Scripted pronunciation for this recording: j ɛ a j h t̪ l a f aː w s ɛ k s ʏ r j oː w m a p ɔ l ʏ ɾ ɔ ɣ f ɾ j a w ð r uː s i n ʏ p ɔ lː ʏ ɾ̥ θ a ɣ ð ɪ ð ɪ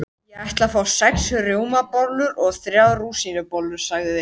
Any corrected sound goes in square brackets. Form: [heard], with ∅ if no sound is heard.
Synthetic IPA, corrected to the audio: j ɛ a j h t̪ l a f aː w s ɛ k s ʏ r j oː w m a p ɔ l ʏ ɾ ɔ ɣ [θ] ɾ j a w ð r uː s i n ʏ p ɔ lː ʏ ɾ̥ [s] a ɣ ð ɪ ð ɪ